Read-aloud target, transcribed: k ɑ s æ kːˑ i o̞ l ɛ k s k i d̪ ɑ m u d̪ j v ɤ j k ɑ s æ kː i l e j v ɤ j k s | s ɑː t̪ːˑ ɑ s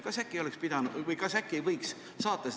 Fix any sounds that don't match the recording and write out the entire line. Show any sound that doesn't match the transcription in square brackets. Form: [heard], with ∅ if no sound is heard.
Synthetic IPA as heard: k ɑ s æ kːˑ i o̞ l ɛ k s [p] i d̪ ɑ [n] u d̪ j v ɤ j k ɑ s æ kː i [∅] e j v ɤ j k s | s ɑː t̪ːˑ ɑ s

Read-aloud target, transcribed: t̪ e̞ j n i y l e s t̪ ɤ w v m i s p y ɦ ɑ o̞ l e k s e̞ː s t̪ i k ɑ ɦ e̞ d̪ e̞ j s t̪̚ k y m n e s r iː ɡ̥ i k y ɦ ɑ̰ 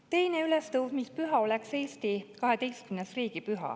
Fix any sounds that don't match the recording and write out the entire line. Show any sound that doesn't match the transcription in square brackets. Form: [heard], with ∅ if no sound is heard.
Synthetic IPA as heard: t̪ e̞ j n [e] y l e s t̪ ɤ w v m i s p y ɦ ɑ o̞ l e k s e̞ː s t̪ i k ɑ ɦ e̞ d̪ e̞ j s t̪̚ k y m n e s r iː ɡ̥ i [p] y ɦ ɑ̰

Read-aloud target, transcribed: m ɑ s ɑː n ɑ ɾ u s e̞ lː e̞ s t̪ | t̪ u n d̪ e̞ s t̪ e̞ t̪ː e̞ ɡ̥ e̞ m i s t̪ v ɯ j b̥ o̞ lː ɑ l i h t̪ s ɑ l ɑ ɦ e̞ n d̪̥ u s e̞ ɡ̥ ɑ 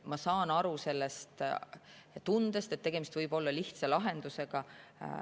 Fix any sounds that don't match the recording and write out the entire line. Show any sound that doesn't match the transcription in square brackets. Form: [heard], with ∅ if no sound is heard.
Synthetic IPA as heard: m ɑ s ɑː n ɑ ɾ u s e̞ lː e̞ s t̪ | t̪ u n d̪ e̞ s t̪ e̞ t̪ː e̞ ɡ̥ e̞ m i s t̪ v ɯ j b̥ o̞ lː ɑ l i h t̪ s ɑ l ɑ ɦ e̞ n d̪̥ u s e̞ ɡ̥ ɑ

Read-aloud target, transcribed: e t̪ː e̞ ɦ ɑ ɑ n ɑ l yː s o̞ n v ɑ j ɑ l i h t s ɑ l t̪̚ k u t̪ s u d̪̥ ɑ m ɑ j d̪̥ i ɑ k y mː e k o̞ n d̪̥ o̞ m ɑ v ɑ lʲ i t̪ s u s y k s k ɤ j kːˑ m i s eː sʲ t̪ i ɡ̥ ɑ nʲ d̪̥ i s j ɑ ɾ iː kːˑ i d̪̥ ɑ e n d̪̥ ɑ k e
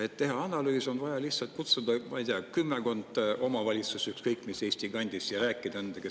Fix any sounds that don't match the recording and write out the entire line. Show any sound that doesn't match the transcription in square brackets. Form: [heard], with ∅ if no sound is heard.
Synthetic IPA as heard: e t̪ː e̞ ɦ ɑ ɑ n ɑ l yː s o̞ n v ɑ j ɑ l i h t s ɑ l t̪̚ k u t̪ s u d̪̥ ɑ m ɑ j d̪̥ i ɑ k y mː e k o̞ n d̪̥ o̞ m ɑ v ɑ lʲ i t̪ s u s y k s k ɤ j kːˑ m i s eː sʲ t̪ i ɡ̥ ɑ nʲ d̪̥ i s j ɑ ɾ [æː] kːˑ i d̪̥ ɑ e n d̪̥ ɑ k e

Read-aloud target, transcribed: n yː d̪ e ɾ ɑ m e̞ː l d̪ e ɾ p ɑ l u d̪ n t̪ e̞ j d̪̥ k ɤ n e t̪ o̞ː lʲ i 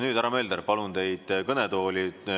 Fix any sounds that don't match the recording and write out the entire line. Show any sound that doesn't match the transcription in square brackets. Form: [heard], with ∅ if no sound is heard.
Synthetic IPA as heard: n yː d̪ [æ] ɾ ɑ m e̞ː l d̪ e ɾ p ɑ l u [∅] n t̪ e̞ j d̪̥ k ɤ n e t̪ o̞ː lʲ i

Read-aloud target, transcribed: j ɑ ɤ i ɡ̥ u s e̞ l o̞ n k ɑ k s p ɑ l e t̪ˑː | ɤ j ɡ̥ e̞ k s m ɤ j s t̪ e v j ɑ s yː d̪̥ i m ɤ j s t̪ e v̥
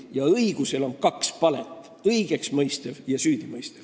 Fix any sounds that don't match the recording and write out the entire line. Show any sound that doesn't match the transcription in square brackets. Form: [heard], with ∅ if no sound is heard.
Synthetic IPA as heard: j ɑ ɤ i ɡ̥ u s e̞ l o̞ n k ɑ k s p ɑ l e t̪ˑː | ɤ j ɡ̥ e̞ k s m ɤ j s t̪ e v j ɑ s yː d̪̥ i m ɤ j s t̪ e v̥

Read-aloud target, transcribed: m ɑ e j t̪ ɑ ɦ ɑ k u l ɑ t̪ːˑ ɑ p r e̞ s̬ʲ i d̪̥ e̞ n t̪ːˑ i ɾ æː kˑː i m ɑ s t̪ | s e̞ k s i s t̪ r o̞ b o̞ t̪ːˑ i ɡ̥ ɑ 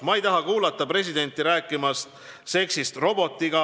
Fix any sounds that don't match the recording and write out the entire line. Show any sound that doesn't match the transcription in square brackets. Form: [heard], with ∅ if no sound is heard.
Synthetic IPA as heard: m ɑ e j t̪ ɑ ɦ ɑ k [uː] l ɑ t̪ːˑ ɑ p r e̞ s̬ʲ i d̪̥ e̞ n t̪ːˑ i ɾ æː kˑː i m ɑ s t̪ | s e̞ k s i s t̪ r o̞ b o̞ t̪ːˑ i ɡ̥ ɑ

